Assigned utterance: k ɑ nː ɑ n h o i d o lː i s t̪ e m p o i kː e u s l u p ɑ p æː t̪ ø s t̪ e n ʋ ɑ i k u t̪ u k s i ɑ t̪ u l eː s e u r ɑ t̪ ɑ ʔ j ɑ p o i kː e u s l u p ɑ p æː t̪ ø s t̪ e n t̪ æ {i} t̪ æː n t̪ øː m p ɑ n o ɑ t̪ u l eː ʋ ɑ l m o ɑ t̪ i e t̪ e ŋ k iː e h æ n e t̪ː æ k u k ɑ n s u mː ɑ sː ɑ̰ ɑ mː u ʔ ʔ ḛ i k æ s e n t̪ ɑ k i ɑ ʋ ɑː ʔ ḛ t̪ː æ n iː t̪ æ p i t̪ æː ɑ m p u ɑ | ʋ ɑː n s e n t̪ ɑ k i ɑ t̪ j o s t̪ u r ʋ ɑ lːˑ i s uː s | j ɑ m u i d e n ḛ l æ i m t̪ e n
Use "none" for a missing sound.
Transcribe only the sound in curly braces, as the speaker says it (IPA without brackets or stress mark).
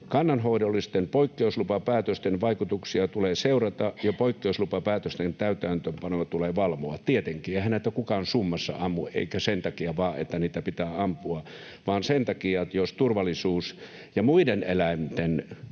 y